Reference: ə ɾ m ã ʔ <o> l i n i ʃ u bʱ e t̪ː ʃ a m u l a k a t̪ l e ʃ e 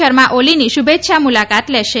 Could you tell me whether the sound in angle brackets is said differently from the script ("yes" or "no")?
no